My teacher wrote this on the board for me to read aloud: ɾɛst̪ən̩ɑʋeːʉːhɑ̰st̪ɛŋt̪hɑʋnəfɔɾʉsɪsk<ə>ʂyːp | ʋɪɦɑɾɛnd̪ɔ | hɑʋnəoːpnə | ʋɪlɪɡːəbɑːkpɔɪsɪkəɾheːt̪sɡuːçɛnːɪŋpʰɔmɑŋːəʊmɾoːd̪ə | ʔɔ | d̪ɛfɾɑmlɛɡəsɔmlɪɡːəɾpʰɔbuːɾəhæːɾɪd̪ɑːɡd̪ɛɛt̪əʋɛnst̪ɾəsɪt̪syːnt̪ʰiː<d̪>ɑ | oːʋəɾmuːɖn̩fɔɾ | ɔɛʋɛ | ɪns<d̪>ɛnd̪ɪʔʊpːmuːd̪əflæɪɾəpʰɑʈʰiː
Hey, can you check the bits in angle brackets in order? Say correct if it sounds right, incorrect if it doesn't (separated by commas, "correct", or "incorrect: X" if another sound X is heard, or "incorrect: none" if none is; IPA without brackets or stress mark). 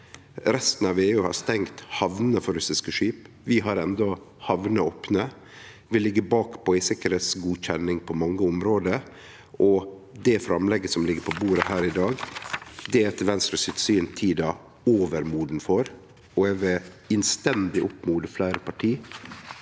correct, correct, incorrect: t̪